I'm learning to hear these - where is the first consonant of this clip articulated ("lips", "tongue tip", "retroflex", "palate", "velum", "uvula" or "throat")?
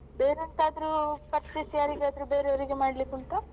lips